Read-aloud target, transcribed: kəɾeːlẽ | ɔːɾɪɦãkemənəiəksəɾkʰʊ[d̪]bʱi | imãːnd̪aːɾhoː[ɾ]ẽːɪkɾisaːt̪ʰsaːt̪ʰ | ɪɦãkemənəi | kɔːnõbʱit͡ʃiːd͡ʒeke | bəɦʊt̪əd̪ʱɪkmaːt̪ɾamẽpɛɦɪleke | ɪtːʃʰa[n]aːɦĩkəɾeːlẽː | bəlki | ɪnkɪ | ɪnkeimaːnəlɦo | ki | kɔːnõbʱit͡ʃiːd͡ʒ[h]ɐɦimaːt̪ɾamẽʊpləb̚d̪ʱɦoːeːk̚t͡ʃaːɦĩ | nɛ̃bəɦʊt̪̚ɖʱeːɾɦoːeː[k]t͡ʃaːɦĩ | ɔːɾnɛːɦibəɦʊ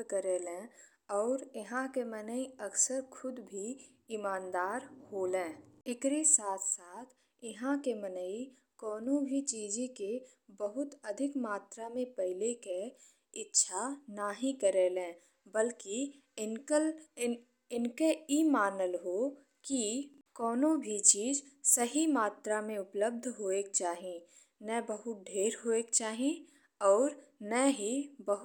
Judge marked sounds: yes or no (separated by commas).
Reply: yes, no, yes, no, yes